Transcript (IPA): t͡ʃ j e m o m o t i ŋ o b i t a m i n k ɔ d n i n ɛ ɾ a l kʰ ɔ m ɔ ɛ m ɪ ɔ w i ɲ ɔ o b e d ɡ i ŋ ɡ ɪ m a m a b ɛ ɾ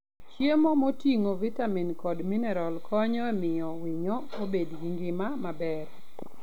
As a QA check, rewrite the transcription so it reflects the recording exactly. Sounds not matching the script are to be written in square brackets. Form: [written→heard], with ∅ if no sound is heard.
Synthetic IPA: t͡ʃ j e m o m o t i ŋ o [b→v] i t a m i n k ɔ d [n→m] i n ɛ ɾ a l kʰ ɔ [m→ɲ] ɔ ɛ m ɪ ɔ w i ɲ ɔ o b e d ɡ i ŋ ɡ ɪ m a m a b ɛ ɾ